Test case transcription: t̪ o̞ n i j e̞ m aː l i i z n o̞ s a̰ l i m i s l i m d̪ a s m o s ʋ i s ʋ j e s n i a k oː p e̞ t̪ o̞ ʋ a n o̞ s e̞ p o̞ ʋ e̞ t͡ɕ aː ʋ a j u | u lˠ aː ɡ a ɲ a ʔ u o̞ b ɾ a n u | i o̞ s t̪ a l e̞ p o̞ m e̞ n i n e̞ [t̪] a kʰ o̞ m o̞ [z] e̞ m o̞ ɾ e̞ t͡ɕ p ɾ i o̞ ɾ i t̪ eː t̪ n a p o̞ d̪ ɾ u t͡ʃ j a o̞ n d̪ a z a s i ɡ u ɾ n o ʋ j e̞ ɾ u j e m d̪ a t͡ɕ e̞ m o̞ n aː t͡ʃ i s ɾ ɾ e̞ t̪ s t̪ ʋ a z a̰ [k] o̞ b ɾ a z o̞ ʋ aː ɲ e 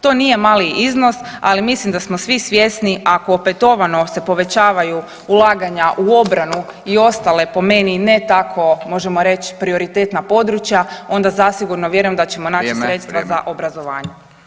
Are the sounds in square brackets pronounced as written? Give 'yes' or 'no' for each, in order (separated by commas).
yes, no, no